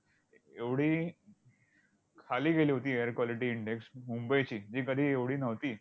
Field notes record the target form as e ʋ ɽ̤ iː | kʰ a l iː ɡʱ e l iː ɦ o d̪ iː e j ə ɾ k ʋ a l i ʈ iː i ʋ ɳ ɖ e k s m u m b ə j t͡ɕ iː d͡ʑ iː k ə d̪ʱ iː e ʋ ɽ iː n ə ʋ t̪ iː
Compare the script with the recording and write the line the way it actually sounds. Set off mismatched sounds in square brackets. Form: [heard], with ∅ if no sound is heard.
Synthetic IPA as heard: e ʋ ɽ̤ iː | kʰ a l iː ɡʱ e l iː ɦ o [t̪] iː e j ə ɾ k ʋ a l i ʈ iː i [∅] ɳ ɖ e k s m u m b ə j t͡ɕ iː d͡ʑ iː k ə d̪ʱ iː e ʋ ɽ iː n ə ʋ t̪ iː